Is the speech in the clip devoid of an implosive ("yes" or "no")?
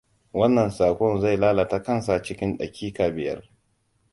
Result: no